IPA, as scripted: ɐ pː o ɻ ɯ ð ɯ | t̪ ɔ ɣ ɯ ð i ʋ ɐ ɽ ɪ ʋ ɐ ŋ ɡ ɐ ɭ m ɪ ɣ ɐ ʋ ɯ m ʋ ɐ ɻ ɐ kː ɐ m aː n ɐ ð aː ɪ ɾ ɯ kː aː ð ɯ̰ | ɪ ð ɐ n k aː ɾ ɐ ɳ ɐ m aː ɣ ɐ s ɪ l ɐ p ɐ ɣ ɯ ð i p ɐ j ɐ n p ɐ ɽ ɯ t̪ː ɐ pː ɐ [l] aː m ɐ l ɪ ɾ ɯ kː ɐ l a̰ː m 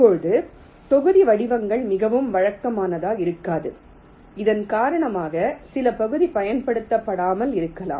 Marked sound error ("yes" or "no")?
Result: yes